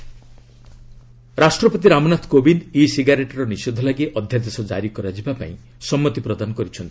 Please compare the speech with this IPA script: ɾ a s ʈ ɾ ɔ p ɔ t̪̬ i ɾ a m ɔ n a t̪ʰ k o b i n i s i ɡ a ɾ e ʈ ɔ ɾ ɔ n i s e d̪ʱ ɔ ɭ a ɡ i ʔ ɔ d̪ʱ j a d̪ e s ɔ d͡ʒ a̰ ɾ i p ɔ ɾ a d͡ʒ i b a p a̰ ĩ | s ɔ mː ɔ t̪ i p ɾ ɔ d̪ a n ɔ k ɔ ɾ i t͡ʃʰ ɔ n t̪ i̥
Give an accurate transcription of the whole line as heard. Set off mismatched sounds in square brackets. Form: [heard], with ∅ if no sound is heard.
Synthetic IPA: ɾ a s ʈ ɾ ɔ p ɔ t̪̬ i ɾ a m ɔ n a t̪ʰ k o b i n i s i ɡ a ɾ e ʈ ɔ ɾ ɔ n i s e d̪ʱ ɔ [l] a ɡ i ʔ ɔ d̪ʱ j a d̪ e s ɔ d͡ʒ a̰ ɾ i [k] ɔ ɾ a d͡ʒ i b a p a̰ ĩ | s ɔ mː ɔ t̪ i p ɾ ɔ d̪ a n ɔ k ɔ ɾ i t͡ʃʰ ɔ n t̪ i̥